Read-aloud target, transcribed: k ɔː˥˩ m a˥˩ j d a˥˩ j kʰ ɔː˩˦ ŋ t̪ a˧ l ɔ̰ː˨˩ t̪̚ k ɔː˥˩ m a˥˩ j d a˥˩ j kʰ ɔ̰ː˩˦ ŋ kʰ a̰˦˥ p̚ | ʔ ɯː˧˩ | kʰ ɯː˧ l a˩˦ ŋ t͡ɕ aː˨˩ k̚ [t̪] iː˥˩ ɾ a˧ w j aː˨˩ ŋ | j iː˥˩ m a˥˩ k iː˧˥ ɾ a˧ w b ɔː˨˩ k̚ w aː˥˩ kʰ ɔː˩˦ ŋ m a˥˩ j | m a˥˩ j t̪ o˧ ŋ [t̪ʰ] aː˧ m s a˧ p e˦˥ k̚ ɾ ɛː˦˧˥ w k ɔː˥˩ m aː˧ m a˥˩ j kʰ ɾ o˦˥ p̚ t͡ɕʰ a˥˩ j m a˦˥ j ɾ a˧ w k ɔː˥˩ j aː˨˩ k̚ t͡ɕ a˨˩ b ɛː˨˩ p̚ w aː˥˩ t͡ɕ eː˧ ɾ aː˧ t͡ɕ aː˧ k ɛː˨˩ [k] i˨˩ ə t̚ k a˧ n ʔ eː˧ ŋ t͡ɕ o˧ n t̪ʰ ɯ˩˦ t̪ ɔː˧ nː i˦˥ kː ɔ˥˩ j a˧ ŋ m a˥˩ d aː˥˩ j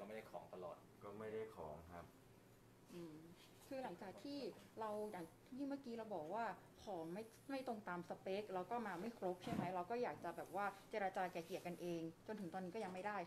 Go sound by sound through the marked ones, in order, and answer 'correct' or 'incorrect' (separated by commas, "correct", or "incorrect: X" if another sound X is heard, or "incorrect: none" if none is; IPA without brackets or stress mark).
incorrect: t̪ʰ, incorrect: t̪, correct